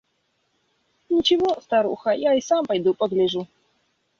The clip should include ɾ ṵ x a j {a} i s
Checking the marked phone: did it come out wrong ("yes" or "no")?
no